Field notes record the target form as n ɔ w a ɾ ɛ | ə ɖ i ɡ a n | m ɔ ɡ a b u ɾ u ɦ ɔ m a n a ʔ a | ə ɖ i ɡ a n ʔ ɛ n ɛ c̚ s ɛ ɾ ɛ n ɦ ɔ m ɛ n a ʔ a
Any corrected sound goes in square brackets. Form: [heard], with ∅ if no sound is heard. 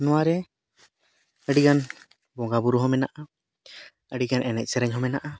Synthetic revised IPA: n ɔ w a ɾ ɛ | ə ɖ i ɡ a n | [b] ɔ ɡ a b u ɾ u ɦ ɔ m [ɛ] n a ʔ a | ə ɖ i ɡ a n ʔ ɛ n ɛ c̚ s ɛ ɾ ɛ [ɲ] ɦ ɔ m ɛ n a ʔ a